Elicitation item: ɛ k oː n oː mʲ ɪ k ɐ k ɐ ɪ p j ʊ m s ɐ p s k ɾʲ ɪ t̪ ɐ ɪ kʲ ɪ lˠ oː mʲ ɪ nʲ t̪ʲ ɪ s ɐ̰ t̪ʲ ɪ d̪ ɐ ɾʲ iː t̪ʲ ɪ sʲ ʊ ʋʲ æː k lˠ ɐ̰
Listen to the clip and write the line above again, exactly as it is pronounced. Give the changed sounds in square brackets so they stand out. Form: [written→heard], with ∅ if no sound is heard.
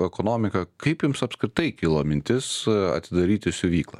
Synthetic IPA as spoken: ɛ k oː n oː mʲ ɪ k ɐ k ɐ ɪ p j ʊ m s ɐ p s k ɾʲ ɪ t̪ ɐ ɪ kʲ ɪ lˠ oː mʲ ɪ nʲ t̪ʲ ɪ s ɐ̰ t̪ʲ ɪ d̪ ɐ ɾʲ iː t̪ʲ ɪ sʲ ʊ ʋʲ [æː→iː] k lˠ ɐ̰